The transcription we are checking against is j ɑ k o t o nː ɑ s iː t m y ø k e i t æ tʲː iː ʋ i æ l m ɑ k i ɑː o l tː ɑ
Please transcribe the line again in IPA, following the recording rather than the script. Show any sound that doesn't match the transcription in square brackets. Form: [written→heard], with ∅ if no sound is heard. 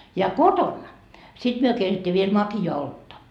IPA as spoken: j ɑ k o t o nː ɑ s [iː→i] t m y ø k e i t [æ→e] tʲː iː ʋ i [æ→e] l m ɑ k i ɑː o l tː ɑ